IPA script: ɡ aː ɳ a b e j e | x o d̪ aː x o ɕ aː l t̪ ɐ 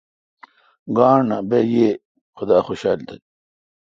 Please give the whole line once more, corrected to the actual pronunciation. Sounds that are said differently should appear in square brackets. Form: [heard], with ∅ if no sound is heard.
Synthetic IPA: ɡ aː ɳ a b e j e | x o d̪ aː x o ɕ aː l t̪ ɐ